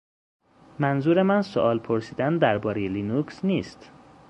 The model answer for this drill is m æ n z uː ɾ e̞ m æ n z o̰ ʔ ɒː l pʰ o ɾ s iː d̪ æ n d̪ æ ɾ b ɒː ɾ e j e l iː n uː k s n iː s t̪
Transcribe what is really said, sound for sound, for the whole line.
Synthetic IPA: m æ n z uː ɾ e̞ m æ n s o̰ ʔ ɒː l pʰ o ɾ s iː d̪ æ n d̪ æ ɾ b ɒː ɾ e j e l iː n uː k s n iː s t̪